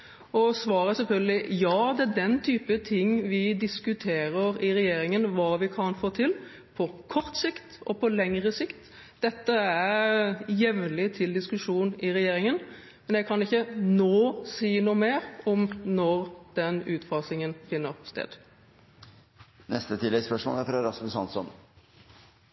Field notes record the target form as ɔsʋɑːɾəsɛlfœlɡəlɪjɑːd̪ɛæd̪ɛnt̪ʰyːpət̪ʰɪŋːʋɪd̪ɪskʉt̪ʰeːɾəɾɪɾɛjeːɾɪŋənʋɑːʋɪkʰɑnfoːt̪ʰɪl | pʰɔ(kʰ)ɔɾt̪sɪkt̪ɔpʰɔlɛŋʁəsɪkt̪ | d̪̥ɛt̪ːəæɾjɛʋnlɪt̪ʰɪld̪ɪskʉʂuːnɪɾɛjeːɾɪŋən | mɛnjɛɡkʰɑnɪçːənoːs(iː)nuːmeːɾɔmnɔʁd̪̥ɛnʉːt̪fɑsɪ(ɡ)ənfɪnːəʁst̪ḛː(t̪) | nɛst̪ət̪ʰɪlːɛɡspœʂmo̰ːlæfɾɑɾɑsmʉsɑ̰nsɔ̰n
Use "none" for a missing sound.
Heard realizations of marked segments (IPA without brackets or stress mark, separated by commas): kʰ, iː, ŋ, d̪